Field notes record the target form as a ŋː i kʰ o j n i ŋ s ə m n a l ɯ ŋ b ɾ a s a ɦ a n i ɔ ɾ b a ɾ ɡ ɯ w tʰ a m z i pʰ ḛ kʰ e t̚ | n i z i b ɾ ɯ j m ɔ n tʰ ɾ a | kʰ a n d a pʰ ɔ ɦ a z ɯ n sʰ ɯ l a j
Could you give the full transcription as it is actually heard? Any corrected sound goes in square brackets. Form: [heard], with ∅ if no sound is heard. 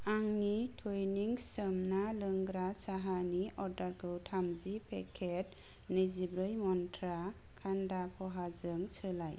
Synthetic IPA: a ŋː i [tʰ] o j n i ŋ s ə m n a l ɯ ŋ [ɡ] ɾ a s a ɦ a n i ɔ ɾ [d] a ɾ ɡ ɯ w tʰ a m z i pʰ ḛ kʰ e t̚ | n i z i b ɾ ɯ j m ɔ n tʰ ɾ a | kʰ a n d a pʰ ɔ ɦ a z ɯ [ŋ] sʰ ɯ l a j